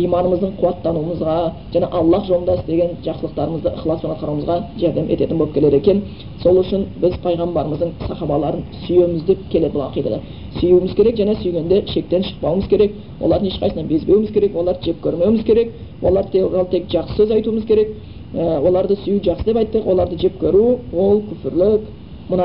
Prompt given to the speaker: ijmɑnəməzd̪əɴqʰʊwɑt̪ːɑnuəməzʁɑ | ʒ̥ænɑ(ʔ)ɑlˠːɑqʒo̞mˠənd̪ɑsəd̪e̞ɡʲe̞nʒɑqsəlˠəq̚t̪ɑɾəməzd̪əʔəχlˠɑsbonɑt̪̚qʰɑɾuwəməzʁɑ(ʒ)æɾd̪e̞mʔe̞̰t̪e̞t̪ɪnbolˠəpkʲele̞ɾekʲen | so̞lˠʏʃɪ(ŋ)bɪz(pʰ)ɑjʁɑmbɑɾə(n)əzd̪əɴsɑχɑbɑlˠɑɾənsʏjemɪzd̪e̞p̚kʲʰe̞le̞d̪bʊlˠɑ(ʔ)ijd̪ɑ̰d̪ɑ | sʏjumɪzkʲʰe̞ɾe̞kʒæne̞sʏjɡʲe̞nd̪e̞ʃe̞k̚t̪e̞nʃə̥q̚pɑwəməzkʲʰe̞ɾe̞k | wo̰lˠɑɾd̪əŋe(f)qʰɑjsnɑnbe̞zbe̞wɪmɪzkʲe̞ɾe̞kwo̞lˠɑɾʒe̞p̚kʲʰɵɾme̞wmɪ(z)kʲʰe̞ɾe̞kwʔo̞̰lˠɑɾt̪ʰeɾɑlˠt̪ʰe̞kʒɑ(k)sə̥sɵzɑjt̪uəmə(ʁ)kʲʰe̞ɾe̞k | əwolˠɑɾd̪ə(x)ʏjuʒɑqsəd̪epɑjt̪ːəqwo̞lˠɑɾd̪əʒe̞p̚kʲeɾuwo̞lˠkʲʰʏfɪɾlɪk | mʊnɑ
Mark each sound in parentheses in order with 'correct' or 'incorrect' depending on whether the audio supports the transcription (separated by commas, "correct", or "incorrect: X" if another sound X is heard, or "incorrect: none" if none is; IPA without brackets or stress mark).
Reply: correct, correct, incorrect: n, correct, incorrect: m, incorrect: q, incorrect: ʃ, correct, incorrect: q, incorrect: z, incorrect: s